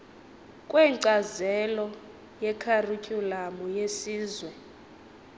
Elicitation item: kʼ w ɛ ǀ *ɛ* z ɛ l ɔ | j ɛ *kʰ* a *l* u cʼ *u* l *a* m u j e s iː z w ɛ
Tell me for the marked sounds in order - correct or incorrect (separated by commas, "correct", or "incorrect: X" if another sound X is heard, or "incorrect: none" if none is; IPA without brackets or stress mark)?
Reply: incorrect: a, correct, incorrect: r, correct, correct